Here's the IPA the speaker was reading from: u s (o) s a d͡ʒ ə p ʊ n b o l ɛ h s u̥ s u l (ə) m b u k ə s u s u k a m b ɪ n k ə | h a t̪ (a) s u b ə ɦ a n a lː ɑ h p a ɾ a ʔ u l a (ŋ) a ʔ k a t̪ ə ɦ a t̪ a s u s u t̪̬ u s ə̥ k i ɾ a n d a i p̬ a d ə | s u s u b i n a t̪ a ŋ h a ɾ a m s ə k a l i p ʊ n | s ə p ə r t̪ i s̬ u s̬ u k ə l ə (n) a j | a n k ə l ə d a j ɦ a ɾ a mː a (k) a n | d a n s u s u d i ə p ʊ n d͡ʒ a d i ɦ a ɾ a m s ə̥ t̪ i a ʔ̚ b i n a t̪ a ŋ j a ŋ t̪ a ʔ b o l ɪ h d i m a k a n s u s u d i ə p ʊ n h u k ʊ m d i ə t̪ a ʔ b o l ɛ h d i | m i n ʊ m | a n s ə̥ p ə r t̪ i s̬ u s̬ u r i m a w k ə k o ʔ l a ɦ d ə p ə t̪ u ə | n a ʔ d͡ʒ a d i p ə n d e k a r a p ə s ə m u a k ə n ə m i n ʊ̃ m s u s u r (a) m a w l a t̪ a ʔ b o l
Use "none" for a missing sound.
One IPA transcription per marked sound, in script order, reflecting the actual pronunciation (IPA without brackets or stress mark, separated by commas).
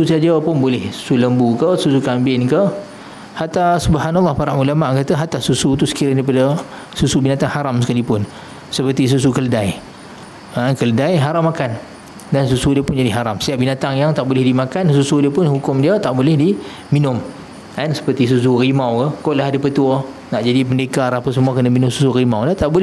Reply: u, ə, a, m, d, k, i